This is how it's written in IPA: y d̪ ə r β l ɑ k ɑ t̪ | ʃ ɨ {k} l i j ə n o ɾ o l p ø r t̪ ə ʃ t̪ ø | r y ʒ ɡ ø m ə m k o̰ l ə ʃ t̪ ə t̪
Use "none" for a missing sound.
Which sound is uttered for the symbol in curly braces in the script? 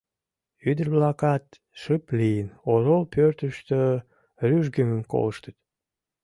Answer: p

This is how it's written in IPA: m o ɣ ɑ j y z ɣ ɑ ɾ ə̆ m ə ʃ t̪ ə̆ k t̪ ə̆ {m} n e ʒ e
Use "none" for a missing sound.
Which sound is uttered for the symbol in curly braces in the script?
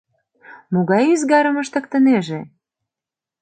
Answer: none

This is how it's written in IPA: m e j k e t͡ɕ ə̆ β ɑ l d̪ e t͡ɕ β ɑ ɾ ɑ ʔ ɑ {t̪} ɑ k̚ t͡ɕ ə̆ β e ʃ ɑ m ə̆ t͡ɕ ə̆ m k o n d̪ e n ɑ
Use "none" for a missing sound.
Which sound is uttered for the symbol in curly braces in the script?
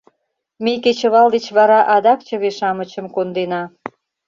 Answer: d̪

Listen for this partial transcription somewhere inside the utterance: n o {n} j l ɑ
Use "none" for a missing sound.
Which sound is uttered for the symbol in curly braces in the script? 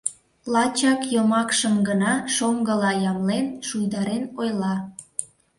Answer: none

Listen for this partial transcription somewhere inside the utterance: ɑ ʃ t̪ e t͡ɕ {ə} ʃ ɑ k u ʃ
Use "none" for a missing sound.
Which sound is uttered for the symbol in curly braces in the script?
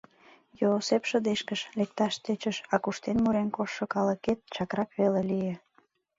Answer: ə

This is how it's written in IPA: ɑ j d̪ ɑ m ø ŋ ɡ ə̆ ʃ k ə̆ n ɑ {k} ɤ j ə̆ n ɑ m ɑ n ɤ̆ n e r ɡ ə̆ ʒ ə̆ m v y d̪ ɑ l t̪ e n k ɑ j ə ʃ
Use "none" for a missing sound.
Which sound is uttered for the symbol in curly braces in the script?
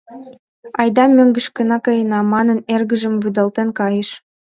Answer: k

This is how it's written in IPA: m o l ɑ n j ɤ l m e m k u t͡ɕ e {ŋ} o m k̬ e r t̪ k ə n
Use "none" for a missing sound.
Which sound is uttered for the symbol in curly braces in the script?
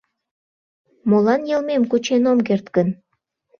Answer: n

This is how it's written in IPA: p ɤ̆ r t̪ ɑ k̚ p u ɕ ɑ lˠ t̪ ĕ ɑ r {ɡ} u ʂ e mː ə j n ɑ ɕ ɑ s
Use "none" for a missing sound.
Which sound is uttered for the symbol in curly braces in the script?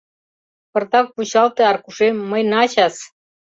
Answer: k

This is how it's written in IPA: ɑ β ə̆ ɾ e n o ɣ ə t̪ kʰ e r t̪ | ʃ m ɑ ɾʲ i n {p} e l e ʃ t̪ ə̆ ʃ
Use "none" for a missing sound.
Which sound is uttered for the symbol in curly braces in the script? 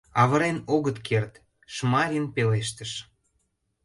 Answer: p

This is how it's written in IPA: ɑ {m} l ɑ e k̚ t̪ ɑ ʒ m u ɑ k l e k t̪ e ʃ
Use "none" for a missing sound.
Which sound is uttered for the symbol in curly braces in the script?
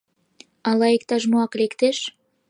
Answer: none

